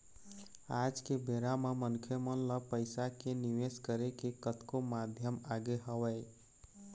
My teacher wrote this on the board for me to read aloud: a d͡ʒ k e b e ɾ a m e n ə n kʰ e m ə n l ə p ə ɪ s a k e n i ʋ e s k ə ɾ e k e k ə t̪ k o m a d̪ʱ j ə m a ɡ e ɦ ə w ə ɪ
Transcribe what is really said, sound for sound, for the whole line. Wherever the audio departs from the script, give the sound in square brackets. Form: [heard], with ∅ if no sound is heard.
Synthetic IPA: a d͡ʒ k e b e ɾ a m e [m] ə n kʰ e m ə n l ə p ə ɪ s a k e n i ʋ e s k ə ɾ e k e k ə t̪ k o m a d̪ʱ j ə m a ɡ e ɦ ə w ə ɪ